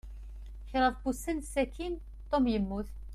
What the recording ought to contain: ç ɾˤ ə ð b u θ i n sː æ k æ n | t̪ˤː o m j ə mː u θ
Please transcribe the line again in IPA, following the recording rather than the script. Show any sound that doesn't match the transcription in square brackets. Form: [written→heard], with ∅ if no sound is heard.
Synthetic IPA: ç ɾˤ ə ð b u [θ→s] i n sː æ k [æ→i] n | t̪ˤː o m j ə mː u θ

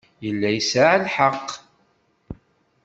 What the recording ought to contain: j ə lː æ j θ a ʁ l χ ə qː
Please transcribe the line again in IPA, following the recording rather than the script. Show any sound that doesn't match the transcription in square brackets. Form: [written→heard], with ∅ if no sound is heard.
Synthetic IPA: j ə lː æ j [θ→s] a [ʁ→ʕ] l [χ→ħ] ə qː

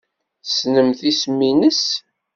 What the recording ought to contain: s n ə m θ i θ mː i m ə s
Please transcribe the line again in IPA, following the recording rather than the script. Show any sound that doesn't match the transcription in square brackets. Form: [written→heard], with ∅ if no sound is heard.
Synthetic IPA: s n ə m θ i [θ→s] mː i [m→n] ə s

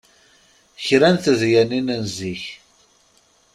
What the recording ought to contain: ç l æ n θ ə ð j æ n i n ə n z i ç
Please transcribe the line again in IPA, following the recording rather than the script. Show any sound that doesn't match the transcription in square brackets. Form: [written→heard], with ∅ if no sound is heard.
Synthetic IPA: ç [l→ɾ] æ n θ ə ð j æ n i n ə n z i ç

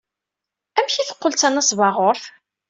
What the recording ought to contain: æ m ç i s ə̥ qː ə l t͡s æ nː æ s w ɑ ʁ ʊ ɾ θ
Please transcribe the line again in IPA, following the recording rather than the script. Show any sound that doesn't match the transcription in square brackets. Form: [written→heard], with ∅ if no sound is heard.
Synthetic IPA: æ m ç i [s→θ] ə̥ qː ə l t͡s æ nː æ s [w→v] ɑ ʁ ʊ ɾ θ

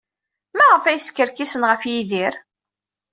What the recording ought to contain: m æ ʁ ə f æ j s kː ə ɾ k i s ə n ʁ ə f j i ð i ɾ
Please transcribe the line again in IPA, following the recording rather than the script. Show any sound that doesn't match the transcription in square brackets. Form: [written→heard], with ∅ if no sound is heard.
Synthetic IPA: m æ ʁ ə f æ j s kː ə ɾ k i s ə n ʁ ə f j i ð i ɾ

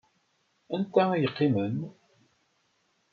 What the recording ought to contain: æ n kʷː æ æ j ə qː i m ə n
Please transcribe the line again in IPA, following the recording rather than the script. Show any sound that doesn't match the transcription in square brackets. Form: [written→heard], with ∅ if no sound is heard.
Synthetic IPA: æ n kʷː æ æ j ə qː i m ə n

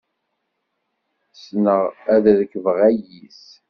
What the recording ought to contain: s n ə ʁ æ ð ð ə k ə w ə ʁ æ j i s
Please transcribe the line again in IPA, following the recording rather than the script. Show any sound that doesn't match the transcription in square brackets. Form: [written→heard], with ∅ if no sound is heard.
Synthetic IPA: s n ə ʁ æ ð ð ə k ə [w→v] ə ʁ æ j i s

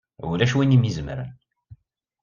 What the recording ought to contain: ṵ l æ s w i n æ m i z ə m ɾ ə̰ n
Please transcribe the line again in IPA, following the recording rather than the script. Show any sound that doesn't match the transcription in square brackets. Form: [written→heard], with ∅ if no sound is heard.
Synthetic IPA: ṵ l æ [s→ʃ] w i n [æ→i] m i z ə m ɾ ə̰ n

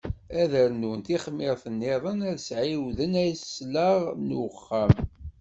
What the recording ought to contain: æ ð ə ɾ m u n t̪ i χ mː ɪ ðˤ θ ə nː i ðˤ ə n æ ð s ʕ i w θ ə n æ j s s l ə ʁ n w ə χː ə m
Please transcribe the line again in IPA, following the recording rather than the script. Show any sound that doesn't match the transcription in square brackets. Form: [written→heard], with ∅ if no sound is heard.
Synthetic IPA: æ ð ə ɾ [m→n] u n t̪ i χ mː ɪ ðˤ θ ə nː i ðˤ ə n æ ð s ʕ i w [θ→ð] ə n æ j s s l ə ʁ n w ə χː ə m

